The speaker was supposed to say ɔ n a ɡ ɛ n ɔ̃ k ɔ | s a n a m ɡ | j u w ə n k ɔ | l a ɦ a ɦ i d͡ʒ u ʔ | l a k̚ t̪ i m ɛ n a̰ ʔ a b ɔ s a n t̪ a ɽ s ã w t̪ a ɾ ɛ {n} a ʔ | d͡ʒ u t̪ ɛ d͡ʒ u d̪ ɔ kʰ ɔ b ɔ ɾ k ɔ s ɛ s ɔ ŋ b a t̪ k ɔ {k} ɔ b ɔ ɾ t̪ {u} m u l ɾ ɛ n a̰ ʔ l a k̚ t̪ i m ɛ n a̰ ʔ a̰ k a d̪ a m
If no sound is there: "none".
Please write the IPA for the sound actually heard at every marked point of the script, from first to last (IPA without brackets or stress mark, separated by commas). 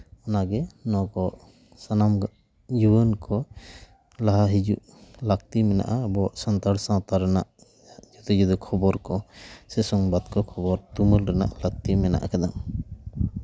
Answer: n, kʰ, u